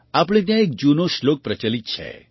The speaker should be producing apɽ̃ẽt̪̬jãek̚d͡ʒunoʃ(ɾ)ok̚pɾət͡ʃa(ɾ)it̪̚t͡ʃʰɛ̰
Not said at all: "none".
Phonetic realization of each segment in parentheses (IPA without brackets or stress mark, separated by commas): l, l